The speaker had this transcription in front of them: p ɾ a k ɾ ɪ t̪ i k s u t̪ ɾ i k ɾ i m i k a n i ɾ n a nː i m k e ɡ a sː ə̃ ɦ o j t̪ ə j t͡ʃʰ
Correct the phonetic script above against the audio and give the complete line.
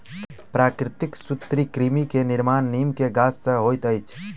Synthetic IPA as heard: p ɾ a k ɾ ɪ t̪ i k s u t̪ ɾ i k ɾ i m i k e n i ɾ m a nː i m k e ɡ a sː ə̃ ɦ o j t̪ ə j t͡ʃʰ